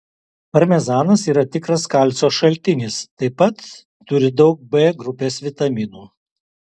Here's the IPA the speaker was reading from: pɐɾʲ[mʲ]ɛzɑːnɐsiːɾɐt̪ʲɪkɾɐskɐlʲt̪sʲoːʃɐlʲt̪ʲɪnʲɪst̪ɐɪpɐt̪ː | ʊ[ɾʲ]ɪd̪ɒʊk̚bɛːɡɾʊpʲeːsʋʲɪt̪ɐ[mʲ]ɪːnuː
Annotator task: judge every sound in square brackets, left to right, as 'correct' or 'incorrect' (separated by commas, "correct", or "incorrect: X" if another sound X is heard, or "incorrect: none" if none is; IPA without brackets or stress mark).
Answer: correct, correct, correct